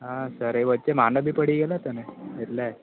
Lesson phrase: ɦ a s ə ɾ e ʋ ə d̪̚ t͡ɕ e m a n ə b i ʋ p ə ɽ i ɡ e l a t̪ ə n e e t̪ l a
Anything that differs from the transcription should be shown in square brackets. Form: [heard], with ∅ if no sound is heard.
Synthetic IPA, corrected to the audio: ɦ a s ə ɾ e ʋ ə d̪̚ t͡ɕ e m a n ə b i [∅] p ə ɽ i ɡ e l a t̪ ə n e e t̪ l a